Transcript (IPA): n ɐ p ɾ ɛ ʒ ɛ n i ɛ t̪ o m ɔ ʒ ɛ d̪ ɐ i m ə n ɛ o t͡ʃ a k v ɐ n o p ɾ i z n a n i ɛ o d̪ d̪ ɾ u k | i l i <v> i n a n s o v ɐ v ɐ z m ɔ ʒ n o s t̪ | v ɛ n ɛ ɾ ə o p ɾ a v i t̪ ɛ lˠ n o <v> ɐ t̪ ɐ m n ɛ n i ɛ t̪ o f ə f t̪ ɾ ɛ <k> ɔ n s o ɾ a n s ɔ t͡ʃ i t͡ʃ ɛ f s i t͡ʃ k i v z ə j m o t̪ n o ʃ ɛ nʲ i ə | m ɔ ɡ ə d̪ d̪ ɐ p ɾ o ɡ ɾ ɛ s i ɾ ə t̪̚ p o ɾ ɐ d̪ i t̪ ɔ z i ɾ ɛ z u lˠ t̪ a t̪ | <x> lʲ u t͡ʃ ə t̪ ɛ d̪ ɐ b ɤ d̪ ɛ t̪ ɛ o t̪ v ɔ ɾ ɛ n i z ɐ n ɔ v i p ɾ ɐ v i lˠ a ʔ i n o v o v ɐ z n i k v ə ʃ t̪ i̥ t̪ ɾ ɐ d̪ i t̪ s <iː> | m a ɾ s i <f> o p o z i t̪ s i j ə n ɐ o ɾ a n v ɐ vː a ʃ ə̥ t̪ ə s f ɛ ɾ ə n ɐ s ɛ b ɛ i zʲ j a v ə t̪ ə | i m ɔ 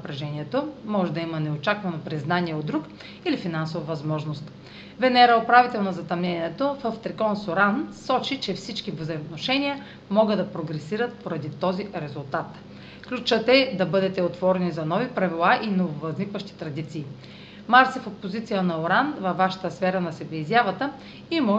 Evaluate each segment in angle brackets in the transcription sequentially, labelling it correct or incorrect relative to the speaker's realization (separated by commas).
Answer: incorrect, incorrect, correct, incorrect, correct, correct